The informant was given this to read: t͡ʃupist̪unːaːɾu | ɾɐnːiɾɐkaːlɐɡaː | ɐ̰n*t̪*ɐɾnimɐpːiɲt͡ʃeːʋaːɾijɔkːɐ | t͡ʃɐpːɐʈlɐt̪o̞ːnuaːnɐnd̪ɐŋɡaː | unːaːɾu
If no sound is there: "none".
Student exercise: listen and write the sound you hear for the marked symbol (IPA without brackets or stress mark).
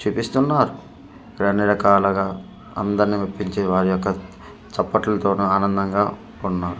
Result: d̪